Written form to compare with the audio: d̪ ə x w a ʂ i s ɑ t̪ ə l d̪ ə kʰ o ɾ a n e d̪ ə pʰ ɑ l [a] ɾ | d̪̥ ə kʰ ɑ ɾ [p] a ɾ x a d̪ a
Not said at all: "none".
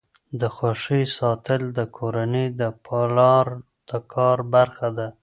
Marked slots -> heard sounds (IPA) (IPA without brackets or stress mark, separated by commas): ɑ, b